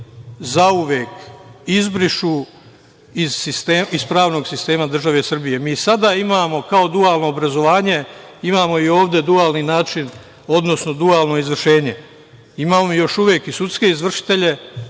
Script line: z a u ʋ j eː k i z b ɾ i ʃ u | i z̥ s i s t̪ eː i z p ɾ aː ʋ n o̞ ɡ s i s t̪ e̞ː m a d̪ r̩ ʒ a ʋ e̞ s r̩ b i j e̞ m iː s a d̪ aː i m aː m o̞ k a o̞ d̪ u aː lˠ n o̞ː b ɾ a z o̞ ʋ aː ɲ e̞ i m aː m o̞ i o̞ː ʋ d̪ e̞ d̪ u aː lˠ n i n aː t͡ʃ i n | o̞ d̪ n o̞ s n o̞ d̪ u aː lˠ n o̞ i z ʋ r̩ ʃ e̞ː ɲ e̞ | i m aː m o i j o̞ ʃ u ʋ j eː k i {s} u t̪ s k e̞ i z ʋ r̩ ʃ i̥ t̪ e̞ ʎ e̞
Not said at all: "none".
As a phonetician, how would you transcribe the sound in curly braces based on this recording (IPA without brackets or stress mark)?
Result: s